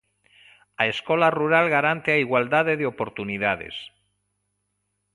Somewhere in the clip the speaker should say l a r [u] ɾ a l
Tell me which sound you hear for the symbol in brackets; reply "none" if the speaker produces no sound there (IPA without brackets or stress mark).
u